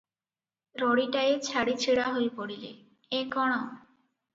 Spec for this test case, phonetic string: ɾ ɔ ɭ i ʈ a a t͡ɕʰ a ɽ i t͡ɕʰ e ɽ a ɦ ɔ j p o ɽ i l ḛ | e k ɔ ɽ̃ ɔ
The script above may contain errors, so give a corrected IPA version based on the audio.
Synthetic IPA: ɾ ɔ ɽ i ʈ a e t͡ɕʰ a ɽ i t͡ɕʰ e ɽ a ɦ o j p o ɽ i l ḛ | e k ɔ ɽ̃ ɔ